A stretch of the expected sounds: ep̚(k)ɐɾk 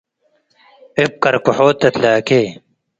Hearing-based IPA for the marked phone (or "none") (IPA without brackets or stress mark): k